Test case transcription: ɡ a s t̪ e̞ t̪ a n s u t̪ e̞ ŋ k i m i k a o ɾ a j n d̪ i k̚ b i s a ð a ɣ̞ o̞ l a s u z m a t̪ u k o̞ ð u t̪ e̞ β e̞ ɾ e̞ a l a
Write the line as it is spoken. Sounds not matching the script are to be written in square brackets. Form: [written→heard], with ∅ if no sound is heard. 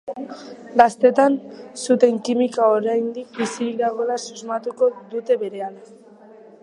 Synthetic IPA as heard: ɡ a s t̪ e̞ t̪ a n s u t̪ e̞ ŋ k i m i k a o ɾ a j n d̪ i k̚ b i s [a→i] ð a ɣ̞ o̞ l a s u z m a t̪ u k o̞ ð u t̪ e̞ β e̞ ɾ e̞ a l a